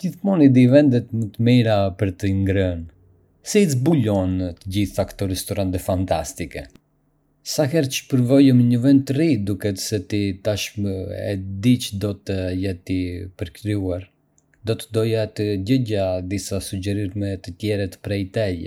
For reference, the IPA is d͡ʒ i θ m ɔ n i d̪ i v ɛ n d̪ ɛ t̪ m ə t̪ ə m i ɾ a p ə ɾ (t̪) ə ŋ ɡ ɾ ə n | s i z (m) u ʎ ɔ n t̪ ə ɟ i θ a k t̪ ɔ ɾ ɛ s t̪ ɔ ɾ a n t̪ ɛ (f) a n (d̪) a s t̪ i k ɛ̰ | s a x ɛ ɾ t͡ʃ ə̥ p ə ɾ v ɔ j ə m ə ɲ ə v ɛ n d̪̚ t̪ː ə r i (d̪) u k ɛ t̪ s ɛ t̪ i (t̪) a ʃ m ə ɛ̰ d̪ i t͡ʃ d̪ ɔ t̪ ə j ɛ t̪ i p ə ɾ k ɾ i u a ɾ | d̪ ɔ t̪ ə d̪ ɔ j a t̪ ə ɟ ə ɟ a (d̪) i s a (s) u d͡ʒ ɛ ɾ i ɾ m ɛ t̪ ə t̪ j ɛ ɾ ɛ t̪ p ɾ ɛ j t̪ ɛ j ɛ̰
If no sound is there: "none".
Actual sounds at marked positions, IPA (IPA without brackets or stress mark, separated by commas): t̪, b, f, t̪, d̪, t̪, d̪, s